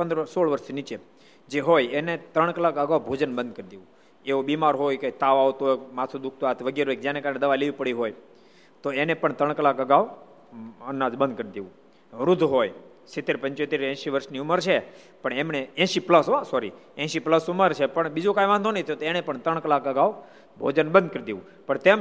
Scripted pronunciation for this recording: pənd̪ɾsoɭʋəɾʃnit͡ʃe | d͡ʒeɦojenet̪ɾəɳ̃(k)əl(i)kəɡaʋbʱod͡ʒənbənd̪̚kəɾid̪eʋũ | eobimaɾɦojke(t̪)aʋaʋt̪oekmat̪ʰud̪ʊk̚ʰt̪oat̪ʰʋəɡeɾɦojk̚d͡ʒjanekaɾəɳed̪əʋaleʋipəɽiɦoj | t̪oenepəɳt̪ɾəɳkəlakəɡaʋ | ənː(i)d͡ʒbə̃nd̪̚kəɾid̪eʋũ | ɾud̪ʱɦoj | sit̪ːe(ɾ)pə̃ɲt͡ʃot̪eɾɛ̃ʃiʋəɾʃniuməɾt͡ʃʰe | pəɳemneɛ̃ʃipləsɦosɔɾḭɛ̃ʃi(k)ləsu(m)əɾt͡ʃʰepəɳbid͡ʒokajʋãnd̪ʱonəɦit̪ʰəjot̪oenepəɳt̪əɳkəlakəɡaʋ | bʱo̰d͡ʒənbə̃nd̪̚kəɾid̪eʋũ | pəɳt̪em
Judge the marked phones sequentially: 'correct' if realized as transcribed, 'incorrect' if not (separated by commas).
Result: correct, incorrect, correct, incorrect, correct, incorrect, correct